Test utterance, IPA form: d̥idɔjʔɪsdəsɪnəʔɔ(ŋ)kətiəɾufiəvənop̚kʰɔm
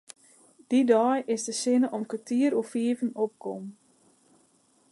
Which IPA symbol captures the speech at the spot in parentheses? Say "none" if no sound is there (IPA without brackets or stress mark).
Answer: m